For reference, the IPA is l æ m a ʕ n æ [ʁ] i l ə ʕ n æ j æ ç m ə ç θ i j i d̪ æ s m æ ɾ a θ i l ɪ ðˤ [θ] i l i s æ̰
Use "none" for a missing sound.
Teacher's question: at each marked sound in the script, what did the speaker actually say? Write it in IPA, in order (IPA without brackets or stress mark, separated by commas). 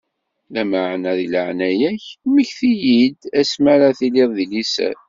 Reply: ð, ð